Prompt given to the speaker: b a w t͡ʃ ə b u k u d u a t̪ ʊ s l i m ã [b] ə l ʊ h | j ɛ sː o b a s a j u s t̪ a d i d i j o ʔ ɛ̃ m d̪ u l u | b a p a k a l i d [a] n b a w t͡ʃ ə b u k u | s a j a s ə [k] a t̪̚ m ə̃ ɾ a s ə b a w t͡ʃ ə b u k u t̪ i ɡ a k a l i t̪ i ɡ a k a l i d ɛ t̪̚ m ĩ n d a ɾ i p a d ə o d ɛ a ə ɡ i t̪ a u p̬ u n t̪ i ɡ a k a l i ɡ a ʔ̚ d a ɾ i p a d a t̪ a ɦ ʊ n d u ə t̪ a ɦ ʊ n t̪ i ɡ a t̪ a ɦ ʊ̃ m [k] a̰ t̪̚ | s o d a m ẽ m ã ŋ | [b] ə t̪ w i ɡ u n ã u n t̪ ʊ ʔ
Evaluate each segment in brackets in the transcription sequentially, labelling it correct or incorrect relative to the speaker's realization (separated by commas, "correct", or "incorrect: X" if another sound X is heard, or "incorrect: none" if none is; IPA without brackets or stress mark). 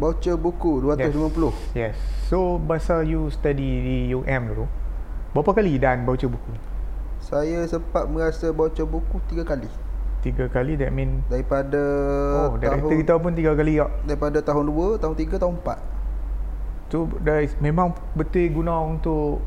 incorrect: p, correct, incorrect: p, incorrect: p, correct